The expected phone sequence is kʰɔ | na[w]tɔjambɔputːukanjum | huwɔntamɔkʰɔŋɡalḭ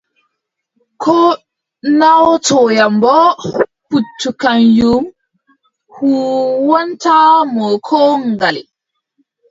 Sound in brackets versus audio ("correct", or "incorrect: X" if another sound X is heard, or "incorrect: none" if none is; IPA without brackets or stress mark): correct